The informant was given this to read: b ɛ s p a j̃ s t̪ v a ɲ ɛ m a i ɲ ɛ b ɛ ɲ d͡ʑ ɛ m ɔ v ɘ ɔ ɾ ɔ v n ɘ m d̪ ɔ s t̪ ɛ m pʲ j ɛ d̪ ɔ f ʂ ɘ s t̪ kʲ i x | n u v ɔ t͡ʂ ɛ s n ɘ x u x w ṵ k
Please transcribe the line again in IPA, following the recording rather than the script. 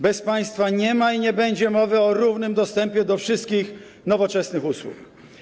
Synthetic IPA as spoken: b ɛ s p a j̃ s t̪ f a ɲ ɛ m a i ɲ ɛ b ɛ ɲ d͡ʑ ɛ m ɔ v ɘ ɔ ɾ u v n ɘ m d̪ ɔ s t̪ ɛ m pʲ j ɛ d̪ ɔ f ʂ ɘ s t̪ kʲ i x | n ɔ v ɔ t͡ʂ ɛ s n ɘ x u s w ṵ k